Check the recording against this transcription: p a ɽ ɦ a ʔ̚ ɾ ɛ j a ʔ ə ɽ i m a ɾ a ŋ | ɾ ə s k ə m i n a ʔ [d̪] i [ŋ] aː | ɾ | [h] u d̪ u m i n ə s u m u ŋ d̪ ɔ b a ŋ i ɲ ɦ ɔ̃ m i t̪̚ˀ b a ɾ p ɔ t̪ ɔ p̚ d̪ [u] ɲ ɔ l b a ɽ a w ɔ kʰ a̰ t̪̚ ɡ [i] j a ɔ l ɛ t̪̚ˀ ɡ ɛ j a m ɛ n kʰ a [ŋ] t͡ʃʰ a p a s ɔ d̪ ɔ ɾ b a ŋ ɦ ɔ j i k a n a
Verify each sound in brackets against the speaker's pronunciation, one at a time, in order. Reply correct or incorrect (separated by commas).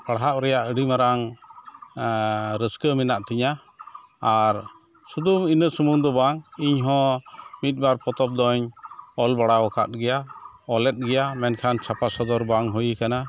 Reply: incorrect, incorrect, incorrect, incorrect, incorrect, incorrect